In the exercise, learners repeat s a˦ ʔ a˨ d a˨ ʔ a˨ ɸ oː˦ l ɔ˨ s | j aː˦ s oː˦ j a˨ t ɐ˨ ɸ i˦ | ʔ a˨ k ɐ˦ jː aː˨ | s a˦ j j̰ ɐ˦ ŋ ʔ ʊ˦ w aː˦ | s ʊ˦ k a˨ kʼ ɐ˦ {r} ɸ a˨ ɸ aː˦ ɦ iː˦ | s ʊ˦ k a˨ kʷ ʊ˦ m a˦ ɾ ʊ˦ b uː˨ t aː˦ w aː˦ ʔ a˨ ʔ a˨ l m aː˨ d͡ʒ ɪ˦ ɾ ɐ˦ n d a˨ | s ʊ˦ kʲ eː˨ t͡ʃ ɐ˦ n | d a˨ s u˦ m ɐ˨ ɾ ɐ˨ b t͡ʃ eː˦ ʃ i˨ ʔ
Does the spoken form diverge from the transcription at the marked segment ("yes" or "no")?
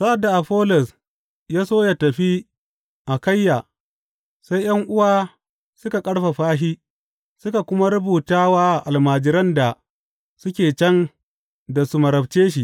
yes